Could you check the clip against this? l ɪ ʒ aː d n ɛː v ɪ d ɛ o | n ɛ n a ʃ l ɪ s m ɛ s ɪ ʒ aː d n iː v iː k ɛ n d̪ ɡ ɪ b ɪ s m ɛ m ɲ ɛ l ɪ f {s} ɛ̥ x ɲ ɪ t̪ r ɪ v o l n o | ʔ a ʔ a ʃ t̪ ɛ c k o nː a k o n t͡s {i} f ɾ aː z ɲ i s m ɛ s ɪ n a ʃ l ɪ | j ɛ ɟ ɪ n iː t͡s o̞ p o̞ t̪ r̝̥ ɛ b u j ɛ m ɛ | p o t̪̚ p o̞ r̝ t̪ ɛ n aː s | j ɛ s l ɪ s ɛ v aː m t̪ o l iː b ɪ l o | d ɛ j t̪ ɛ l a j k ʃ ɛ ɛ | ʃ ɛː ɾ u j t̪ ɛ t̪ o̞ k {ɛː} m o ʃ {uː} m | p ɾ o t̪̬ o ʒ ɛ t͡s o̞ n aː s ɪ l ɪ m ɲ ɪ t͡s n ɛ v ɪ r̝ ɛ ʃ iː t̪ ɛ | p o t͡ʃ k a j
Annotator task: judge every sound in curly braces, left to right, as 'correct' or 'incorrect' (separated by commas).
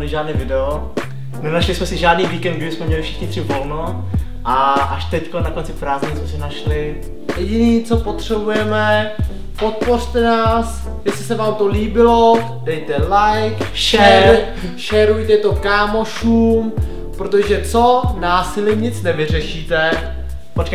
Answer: incorrect, incorrect, incorrect, correct